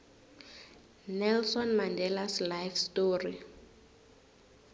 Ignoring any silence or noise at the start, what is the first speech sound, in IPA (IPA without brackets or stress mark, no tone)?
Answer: n